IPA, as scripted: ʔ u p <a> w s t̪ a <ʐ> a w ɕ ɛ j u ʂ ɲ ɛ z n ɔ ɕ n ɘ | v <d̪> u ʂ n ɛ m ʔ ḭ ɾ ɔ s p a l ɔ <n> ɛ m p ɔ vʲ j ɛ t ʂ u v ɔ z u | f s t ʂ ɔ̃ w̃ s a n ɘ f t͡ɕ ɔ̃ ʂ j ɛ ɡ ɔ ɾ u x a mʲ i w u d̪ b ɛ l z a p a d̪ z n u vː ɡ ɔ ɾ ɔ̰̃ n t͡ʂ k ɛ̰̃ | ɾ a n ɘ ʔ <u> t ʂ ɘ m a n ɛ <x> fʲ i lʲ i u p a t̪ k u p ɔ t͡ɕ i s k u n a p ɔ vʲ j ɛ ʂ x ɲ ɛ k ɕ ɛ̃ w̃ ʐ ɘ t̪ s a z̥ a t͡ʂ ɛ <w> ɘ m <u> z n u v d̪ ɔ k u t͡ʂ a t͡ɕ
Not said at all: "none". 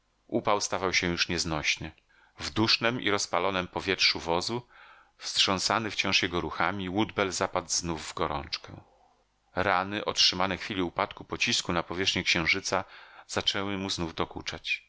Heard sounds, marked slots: a, v, d̪, n, ɔ, x, w, u

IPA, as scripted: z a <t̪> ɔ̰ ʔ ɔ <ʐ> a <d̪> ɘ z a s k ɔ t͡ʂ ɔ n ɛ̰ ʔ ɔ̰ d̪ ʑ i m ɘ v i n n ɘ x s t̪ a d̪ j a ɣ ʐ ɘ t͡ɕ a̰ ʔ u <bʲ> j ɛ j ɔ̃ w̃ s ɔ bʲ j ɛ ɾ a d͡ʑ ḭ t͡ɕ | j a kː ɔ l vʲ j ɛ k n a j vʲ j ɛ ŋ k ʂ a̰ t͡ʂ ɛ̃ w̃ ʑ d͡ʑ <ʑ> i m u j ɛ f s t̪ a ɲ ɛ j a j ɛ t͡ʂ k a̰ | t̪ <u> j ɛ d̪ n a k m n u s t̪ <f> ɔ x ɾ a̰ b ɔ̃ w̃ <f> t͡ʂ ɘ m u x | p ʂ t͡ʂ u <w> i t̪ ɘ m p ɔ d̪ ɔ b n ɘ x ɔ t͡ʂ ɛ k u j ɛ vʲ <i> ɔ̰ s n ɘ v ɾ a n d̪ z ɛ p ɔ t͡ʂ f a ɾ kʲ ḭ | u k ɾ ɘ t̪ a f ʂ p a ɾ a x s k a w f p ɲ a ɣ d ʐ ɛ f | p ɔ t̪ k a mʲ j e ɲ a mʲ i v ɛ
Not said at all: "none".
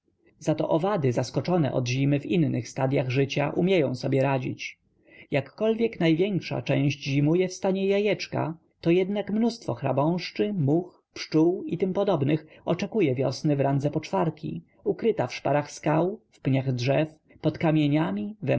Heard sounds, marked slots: t̪, v, d̪, mʲ, ʑ, ɔ, f, ʂ, w, j

